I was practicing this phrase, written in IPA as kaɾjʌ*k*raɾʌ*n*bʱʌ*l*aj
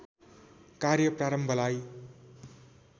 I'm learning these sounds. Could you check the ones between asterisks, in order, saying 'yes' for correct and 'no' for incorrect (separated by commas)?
no, no, yes